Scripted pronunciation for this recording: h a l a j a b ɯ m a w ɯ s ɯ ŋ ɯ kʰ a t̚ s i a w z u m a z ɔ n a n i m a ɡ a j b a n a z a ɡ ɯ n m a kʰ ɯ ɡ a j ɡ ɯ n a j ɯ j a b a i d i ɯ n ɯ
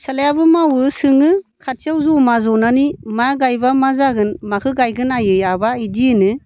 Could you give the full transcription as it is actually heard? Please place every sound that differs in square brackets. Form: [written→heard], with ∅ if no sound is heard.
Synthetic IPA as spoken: [h→s] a l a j a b ɯ m a w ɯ s ɯ ŋ ɯ kʰ a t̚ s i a w z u m a z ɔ n a n i m a ɡ a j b a [n→m] a z a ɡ ɯ n m a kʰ ɯ ɡ a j ɡ ɯ n a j ɯ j a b a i d i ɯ n ɯ